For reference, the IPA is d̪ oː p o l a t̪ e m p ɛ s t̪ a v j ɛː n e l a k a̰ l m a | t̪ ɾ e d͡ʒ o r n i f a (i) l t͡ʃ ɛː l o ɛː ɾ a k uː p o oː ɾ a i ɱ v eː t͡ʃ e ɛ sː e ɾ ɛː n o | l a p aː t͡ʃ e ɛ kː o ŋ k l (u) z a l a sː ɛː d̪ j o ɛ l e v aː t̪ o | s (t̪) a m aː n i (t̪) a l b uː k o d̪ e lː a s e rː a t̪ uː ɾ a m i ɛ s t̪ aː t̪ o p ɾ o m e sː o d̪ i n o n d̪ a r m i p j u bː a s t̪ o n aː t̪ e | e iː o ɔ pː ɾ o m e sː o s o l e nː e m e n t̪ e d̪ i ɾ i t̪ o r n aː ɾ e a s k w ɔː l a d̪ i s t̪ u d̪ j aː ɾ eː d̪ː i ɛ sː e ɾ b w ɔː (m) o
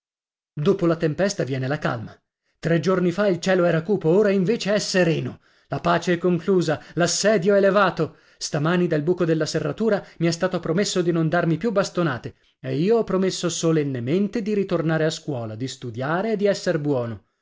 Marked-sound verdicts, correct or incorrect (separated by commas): correct, incorrect, correct, incorrect, incorrect